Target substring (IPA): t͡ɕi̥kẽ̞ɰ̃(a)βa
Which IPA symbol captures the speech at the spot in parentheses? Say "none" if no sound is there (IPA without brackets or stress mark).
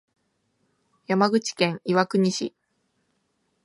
i